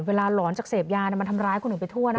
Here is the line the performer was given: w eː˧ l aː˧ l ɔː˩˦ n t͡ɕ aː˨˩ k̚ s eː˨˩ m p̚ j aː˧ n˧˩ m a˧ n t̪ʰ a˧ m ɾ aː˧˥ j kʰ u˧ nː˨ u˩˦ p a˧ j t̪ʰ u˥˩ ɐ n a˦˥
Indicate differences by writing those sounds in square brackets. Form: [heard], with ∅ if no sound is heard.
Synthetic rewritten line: w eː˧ l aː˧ l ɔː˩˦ n t͡ɕ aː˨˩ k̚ s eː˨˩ [∅] p̚ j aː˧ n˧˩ m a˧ n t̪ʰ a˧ m ɾ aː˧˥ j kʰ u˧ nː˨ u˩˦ p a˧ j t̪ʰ u˥˩ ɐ n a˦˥